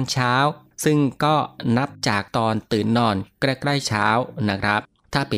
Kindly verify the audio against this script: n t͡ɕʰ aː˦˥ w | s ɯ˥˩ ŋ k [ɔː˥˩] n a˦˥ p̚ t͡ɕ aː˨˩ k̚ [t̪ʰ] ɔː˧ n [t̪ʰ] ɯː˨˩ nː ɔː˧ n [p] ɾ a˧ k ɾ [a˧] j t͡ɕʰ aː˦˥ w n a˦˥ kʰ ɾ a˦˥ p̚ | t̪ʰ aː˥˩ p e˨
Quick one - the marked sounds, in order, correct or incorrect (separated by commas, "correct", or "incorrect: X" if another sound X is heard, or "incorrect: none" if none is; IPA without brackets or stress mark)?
correct, incorrect: t̪, incorrect: t̪, incorrect: k, incorrect: a˥˩